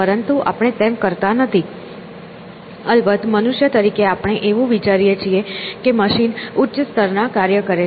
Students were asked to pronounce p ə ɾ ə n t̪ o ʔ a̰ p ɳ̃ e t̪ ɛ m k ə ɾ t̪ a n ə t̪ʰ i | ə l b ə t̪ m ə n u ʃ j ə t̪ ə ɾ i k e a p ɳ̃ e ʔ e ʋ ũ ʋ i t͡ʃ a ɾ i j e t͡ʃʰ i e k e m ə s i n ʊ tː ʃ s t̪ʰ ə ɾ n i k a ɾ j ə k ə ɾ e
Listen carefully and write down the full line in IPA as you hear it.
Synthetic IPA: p ə ɾ ə n t̪ u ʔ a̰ p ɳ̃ e t̪ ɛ m k ə ɾ t̪ a n ə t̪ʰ i | ə l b ə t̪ m ə n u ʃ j ə t̪ ə ɾ i k e a p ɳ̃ e ʔ e ʋ ũ ʋ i t͡ʃ a ɾ i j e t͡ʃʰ i e k e m ə ʃ i n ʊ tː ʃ s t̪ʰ ə ɾ n a k a ɾ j ə k ə ɾ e